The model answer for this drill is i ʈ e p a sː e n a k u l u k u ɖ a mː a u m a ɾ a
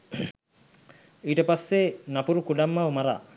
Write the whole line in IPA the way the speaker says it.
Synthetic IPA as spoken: i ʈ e p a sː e n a p u ɾ u k u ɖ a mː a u m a ɾ a